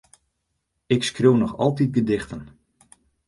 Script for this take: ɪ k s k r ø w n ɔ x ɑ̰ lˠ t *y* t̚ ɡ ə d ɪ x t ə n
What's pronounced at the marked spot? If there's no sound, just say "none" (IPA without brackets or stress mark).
i